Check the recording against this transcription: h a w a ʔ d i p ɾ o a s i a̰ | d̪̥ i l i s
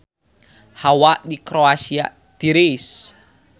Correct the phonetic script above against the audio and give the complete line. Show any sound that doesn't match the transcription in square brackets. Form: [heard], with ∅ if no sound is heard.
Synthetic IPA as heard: h a w a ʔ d i [k] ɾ o a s i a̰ | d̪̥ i [ɾ] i s